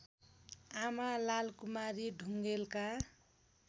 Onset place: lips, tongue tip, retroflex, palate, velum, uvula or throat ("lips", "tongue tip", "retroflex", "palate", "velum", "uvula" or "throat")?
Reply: lips